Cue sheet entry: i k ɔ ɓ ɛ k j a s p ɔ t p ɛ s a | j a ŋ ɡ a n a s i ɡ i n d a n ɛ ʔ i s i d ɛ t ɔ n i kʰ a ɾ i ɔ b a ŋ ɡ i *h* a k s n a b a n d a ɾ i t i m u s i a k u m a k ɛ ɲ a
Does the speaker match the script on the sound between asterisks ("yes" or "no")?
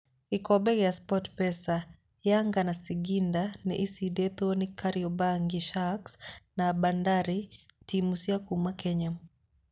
no